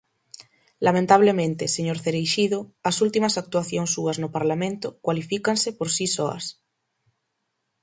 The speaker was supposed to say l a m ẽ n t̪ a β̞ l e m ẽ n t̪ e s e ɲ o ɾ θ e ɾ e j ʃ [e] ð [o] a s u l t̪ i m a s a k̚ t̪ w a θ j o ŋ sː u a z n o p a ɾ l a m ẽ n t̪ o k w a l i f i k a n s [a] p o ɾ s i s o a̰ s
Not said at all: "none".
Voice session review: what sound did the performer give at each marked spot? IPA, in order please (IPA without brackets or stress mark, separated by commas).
i, o, e